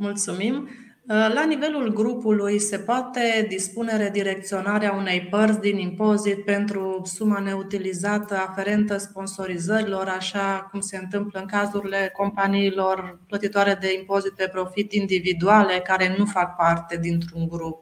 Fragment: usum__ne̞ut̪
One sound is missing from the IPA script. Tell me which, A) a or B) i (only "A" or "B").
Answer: A